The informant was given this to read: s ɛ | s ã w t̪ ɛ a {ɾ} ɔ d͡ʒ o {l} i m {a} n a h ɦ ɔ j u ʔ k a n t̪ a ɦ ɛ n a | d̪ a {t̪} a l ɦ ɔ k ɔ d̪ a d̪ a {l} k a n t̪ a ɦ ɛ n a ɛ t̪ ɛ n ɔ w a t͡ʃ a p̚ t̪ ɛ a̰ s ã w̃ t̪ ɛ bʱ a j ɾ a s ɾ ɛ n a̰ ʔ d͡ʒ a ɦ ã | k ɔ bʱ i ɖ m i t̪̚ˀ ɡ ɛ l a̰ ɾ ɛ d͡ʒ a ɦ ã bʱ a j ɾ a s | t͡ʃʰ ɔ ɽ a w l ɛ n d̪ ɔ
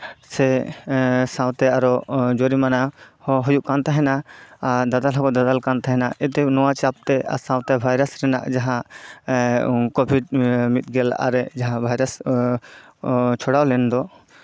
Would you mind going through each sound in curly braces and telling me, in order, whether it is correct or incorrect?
correct, incorrect: ɾ, correct, incorrect: d̪, correct

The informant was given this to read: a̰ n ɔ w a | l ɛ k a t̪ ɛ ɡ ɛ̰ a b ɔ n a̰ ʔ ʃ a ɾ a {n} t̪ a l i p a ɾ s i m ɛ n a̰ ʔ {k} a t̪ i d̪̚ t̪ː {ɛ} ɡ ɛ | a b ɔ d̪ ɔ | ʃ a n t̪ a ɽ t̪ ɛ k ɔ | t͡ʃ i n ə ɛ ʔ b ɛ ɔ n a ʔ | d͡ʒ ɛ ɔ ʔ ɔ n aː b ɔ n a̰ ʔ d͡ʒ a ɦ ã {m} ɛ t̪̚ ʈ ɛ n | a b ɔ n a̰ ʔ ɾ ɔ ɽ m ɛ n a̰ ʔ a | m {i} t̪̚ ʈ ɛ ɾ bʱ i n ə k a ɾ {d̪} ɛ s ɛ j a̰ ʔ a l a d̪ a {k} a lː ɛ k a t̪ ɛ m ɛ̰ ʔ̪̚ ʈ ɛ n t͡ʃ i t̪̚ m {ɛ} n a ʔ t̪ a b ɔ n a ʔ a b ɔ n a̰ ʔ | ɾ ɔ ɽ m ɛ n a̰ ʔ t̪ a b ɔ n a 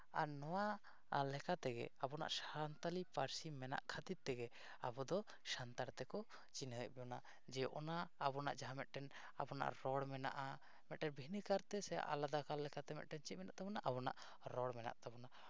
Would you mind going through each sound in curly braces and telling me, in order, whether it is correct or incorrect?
correct, incorrect: kʰ, correct, correct, incorrect: ɛ, incorrect: t̪, correct, correct

